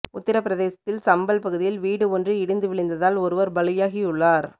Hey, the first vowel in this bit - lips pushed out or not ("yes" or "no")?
yes